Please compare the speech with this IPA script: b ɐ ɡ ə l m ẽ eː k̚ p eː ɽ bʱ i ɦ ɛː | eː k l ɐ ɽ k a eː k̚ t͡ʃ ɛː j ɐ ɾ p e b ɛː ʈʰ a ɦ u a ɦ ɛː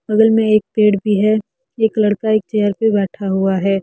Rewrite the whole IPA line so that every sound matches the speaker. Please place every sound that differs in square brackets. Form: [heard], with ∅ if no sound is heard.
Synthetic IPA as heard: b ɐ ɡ ə l m ẽ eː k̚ p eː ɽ bʱ i ɦ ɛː | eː k l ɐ ɽ k a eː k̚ t͡ʃ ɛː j [ə] ɾ p e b ɛː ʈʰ a ɦ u a ɦ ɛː